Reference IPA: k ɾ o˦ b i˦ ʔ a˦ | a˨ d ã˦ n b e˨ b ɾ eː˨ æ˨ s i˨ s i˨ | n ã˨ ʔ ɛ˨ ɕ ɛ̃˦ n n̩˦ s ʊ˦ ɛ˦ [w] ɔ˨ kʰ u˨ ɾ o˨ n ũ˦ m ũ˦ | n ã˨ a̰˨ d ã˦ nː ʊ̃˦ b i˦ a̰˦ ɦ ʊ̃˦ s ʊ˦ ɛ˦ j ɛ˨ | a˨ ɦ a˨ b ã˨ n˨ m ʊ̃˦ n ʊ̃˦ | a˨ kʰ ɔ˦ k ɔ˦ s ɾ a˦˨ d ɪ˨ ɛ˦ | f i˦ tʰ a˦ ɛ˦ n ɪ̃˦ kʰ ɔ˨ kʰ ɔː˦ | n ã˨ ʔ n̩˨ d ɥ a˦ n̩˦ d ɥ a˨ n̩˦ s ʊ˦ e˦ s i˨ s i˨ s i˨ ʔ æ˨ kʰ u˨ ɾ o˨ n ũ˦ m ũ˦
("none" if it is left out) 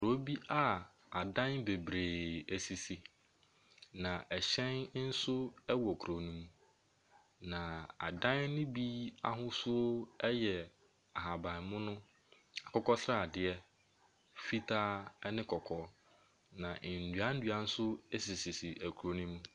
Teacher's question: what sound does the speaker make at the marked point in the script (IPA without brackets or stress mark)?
w